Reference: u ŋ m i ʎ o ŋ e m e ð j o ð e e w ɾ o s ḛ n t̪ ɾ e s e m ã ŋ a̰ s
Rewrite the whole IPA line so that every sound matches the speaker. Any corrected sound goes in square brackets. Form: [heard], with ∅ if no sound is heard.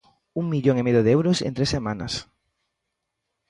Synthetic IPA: u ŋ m i ʎ o ŋ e m e ð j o ð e e w ɾ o s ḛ n t̪ ɾ e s e m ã [n] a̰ s